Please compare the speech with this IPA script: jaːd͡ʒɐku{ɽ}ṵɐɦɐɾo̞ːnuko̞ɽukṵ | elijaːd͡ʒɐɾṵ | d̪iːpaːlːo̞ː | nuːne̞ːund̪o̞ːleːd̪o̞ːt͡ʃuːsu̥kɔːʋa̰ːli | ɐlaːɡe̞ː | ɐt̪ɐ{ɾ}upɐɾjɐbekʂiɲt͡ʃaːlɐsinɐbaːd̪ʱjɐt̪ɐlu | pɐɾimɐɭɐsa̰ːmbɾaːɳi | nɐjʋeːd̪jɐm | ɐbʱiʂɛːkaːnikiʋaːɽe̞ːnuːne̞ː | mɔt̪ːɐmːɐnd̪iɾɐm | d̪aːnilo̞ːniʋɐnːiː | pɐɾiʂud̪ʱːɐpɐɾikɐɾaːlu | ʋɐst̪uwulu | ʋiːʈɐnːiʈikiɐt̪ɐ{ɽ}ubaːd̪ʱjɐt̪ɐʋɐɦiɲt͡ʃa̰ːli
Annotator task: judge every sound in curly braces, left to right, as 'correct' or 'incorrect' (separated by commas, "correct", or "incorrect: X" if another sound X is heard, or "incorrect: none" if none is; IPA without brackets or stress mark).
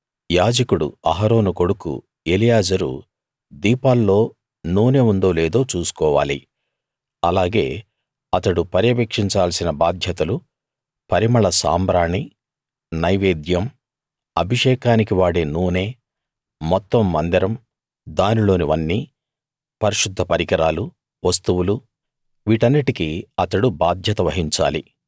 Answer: correct, incorrect: ɽ, correct